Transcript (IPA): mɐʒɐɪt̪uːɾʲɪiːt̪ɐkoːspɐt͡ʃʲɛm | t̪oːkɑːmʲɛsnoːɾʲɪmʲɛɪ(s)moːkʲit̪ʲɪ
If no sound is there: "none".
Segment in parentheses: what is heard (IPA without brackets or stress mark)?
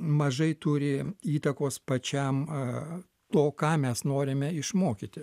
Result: ʃ